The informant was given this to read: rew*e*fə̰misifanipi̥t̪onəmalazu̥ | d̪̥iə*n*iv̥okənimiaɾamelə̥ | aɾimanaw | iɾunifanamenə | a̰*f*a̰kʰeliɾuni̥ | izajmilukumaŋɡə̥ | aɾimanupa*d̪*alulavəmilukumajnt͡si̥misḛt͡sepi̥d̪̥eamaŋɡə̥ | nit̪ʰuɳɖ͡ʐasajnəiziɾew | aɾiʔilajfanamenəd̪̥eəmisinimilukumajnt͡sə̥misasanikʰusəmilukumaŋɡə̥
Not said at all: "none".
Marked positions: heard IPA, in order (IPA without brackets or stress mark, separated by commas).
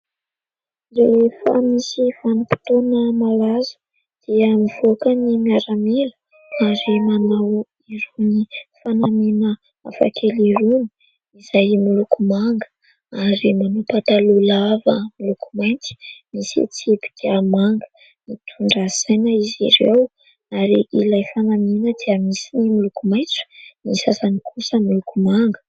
e, m, f, t̪